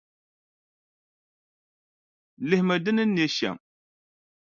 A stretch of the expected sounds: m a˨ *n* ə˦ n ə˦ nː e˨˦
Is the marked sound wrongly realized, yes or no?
yes